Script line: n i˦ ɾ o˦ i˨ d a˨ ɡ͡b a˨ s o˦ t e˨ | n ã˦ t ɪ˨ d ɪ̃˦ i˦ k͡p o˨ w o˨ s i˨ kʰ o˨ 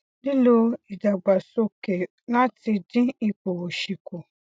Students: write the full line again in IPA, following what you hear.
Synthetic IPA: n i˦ l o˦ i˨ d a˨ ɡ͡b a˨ s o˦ k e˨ | n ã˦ t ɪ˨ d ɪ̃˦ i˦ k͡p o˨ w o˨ ʃ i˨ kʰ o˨